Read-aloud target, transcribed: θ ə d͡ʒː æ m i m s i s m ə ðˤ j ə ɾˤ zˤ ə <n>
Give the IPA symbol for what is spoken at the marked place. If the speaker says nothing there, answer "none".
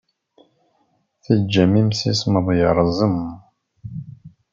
m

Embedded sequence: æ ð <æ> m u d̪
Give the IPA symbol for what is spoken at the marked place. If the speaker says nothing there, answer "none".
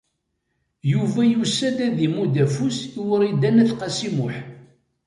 i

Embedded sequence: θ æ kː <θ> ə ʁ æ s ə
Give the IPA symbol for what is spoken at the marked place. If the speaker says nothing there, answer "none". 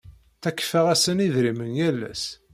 f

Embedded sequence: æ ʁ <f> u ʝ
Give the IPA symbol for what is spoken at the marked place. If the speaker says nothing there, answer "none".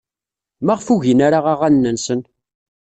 f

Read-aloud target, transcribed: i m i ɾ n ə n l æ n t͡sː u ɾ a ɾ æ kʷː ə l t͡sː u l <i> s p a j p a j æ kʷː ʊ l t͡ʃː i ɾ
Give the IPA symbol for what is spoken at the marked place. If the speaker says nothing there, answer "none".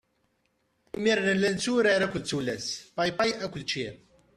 æ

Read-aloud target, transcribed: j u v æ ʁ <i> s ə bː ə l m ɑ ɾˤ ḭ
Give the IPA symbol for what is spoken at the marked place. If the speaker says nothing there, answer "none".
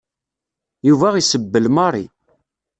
i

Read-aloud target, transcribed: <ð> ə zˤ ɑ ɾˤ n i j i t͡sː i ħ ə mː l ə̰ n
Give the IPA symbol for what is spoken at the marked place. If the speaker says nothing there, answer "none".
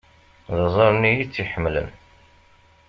ð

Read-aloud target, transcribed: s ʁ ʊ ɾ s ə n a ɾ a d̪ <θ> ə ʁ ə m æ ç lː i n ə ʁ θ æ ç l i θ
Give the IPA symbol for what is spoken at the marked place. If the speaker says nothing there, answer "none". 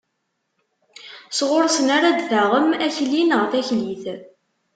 θ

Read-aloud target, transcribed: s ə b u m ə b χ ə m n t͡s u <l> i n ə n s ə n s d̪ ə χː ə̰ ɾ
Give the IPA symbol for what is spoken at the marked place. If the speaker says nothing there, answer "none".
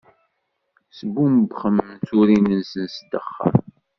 ɾ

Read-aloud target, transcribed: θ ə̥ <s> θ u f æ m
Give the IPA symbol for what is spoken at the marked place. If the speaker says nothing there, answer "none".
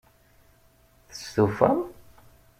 s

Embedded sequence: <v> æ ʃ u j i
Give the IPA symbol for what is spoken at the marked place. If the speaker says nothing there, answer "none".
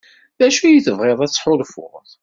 ð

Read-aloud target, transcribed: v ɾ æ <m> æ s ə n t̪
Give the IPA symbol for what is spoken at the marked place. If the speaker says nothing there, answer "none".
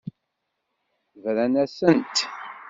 n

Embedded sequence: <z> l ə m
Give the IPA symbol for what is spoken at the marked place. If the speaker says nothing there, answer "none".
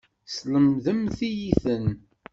s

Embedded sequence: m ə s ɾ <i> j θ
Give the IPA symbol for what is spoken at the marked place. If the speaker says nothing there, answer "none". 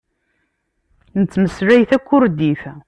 æ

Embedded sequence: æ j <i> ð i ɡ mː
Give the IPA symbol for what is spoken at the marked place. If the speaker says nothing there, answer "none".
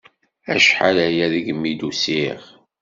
æ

